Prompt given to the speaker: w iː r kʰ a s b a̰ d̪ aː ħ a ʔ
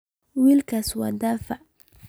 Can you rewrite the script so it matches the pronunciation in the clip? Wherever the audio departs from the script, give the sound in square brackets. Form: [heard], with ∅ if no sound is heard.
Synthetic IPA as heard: w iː [l] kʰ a s [w] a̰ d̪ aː [f] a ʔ

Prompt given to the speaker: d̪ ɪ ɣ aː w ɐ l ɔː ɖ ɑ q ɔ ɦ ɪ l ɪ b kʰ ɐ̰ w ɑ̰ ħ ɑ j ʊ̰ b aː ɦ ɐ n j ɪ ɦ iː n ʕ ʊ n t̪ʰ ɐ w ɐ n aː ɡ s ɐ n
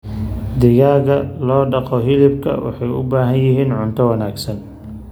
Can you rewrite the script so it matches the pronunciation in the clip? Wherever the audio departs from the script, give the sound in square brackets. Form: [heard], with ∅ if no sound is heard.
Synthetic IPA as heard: d̪ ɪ ɣ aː [ɣ] ɐ l ɔː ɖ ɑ q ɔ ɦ ɪ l ɪ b kʰ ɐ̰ w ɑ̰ ħ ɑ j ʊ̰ b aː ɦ ɐ n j ɪ ɦ iː n ʕ ʊ n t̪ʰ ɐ w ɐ n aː ɡ s ɐ n

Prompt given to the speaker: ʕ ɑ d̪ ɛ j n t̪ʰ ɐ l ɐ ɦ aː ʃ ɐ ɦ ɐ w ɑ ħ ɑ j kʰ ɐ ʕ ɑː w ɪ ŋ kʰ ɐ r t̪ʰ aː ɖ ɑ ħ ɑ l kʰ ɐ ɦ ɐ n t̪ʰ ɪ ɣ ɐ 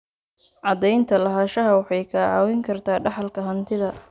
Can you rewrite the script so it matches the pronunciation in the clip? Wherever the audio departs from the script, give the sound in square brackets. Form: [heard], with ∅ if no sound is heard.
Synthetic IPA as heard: ʕ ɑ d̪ ɛ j n t̪ʰ ɐ l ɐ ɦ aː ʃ ɐ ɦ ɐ w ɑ ħ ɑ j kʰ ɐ ʕ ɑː w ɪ ŋ kʰ ɐ r t̪ʰ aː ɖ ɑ ħ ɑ l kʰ ɐ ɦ ɐ n t̪ʰ ɪ [ð] ɐ

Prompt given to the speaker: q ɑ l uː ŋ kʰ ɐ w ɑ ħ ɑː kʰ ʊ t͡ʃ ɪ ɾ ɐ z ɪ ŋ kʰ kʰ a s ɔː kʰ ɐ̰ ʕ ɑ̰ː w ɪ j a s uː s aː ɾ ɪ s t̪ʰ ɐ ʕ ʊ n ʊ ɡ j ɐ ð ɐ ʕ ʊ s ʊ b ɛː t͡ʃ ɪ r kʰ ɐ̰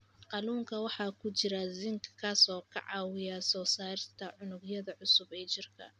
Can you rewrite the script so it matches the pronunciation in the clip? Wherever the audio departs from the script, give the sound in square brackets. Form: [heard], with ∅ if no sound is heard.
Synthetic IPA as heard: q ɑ l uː ŋ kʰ ɐ w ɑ ħ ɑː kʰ ʊ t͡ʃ ɪ ɾ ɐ z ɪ ŋ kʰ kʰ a s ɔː kʰ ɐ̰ ʕ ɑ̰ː w ɪ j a s [ɔː] s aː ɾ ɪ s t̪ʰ ɐ ʕ ʊ n ʊ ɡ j ɐ ð ɐ ʕ ʊ s ʊ b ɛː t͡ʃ ɪ r kʰ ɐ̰

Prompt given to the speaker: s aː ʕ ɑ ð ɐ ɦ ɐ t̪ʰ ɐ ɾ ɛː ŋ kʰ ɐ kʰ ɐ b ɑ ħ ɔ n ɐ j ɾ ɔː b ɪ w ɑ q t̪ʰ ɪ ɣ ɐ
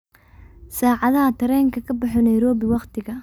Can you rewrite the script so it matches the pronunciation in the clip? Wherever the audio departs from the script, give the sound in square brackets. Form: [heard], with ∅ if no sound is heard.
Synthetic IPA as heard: s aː ʕ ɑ ð ɐ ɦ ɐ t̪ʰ ɐ ɾ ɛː ŋ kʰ ɐ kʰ ɐ b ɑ ħ ɔ n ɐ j ɾ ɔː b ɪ w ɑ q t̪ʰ ɪ ɣ ɐ

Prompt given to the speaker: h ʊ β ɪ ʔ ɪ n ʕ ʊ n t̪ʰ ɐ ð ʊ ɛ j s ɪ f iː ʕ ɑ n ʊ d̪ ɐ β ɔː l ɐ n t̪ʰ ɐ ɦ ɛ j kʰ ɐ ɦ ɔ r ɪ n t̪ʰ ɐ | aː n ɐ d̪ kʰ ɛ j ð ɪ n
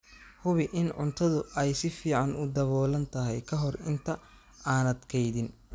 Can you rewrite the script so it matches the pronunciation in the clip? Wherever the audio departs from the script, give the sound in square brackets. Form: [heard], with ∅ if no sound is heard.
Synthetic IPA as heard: h ʊ β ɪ ʔ ɪ n ʕ ʊ n t̪ʰ ɐ ð ʊ ɛ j s ɪ f iː ʕ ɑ n ʊ d̪ ɐ β ɔː l ɐ n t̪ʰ ɐ ɦ ɛ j kʰ ɐ ɦ ɔ r ɪ n t̪ʰ ɐ | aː n ɐ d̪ kʰ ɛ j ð ɪ n

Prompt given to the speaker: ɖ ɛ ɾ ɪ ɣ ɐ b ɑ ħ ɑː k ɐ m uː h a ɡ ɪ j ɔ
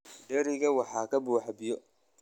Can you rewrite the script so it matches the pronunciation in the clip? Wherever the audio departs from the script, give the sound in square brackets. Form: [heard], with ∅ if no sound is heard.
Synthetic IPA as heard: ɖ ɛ ɾ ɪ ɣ ɐ [w] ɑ ħ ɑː k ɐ [b] uː [ħ] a [b] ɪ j ɔ

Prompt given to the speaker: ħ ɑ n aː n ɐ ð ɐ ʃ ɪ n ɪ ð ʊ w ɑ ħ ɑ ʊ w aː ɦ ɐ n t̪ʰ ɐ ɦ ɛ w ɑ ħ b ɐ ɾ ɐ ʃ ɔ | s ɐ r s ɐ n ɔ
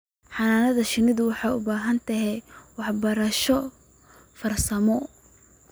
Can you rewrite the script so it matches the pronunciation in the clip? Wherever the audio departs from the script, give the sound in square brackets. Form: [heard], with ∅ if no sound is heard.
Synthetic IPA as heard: ħ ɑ n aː n ɐ ð ɐ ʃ ɪ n ɪ ð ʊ w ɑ ħ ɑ ʊ [b] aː ɦ ɐ n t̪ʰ ɐ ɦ ɛ w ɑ ħ b ɐ ɾ ɐ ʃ ɔ | [f] ɐ r s ɐ [m] ɔ

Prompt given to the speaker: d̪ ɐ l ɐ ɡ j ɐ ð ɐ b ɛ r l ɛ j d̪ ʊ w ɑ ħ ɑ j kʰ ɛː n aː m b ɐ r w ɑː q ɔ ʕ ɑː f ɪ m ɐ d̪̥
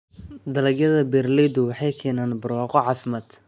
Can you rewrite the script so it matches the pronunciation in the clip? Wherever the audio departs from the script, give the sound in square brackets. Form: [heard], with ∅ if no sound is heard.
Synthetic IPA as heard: d̪ ɐ l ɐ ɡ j ɐ ð ɐ b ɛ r l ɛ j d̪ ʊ w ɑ ħ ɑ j kʰ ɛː n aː [n] b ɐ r w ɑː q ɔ ʕ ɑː f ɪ m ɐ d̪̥

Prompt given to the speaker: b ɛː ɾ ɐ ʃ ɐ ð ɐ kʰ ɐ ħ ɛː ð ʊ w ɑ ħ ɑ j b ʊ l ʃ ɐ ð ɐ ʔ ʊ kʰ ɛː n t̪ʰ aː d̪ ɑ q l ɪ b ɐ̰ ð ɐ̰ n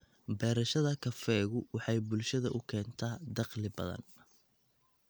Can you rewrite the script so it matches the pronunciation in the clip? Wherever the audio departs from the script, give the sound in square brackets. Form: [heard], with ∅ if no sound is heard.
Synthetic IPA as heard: b ɛː ɾ ɐ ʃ ɐ ð ɐ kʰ ɐ [f] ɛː [ɣ] ʊ w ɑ ħ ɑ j b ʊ l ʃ ɐ ð ɐ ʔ ʊ kʰ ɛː n t̪ʰ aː d̪ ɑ q l ɪ b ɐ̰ ð ɐ̰ n

